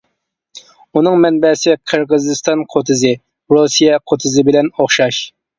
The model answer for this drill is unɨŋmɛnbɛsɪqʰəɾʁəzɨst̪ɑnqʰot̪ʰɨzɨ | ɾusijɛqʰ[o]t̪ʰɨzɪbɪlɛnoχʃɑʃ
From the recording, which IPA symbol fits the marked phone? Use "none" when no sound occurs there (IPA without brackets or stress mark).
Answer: o